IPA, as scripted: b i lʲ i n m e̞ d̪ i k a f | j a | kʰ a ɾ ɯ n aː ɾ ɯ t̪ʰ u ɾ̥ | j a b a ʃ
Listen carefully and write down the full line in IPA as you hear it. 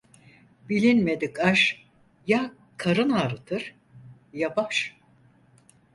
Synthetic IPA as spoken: b i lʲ i n m e̞ d̪ i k a ʃ | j a | kʰ a ɾ ɯ n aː ɾ ɯ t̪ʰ ɯ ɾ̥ | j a b a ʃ